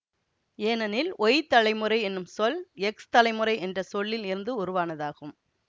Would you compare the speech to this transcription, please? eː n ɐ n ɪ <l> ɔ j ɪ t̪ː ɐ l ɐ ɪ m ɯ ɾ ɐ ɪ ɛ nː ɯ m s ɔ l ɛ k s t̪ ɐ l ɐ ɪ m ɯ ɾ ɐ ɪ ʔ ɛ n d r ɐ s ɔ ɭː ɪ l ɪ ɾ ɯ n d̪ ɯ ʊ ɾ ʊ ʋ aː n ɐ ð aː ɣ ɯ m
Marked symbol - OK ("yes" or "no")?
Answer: yes